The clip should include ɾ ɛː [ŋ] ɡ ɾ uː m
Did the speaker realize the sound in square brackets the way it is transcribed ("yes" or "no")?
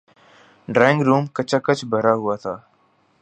yes